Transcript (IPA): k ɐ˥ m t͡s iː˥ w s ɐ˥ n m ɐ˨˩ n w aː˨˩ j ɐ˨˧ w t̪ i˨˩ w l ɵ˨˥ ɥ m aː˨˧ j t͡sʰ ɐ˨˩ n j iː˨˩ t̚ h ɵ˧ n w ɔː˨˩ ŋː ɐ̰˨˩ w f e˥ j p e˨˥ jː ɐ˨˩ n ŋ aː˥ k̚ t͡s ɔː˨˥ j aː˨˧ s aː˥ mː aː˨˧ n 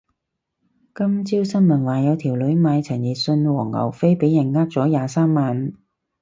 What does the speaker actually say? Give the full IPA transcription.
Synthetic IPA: k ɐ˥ m t͡s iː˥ w s ɐ˥ n m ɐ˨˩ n w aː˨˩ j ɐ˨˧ w t̪ʰ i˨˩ w l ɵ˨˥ ɥ m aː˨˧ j t͡sʰ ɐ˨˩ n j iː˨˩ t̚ s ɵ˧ n w ɔː˨˩ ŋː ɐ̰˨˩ w f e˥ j p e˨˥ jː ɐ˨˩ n ŋ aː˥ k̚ t͡s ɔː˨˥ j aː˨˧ s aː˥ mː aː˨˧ n